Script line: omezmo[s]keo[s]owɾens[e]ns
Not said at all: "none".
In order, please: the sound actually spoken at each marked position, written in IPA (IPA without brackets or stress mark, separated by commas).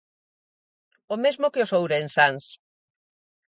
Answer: none, s, a